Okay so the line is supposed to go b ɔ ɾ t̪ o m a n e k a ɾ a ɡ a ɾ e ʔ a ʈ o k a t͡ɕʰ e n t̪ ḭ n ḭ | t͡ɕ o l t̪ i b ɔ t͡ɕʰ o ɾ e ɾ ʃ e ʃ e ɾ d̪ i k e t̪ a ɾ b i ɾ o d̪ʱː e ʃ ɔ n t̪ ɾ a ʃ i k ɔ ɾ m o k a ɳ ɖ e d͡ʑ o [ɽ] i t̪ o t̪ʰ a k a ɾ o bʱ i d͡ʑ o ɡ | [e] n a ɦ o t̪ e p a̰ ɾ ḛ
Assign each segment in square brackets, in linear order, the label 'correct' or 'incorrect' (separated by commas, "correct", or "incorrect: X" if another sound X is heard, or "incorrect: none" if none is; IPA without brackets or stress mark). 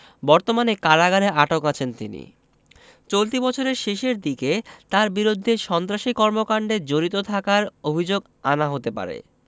incorrect: ɾ, incorrect: a